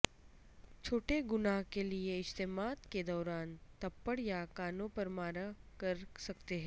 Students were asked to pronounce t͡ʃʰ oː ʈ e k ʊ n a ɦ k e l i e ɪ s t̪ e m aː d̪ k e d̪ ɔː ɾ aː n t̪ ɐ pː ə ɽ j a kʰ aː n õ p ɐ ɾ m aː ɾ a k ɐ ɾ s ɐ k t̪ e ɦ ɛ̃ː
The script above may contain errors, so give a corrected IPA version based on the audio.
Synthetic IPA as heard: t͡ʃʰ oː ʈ e ɡ ʊ n a ɦ k e l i e ɪ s t̪ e m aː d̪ k e d̪ ɔː ɾ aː n t̪ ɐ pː ə ɽ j a k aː n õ p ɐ ɾ m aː ɾ a k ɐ ɾ s ɐ k t̪ e ɦ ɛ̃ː